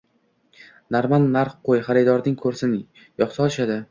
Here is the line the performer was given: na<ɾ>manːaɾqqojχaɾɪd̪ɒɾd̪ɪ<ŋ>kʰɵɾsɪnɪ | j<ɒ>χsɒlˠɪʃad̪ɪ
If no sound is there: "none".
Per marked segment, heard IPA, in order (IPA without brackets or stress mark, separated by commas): ɾ, ŋ, ɒ